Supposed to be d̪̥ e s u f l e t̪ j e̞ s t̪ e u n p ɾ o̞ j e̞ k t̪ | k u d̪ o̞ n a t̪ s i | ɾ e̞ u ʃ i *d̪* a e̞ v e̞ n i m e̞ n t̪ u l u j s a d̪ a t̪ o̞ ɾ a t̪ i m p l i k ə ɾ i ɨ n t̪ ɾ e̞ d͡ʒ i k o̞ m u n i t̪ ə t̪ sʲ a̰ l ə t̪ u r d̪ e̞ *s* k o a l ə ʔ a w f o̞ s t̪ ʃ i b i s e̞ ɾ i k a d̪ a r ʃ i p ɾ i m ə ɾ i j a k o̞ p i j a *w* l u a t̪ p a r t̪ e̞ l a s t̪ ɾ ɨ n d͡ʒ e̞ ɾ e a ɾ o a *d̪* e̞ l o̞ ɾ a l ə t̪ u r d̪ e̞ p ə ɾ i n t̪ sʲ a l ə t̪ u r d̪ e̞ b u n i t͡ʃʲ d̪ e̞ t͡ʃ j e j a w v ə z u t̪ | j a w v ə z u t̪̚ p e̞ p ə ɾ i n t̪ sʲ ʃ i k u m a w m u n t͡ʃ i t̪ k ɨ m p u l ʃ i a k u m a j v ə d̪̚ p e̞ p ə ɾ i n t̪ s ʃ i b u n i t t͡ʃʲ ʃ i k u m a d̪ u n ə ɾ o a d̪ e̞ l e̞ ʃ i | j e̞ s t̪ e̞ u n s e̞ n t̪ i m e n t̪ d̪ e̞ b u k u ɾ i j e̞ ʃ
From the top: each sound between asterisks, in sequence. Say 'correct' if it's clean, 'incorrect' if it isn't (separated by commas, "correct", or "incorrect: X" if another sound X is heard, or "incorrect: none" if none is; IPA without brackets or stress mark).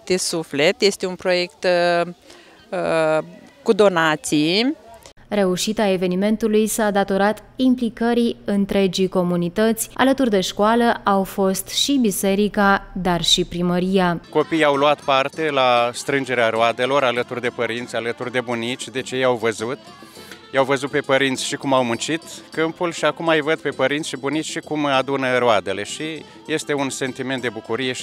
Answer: incorrect: t̪, incorrect: ʃ, correct, correct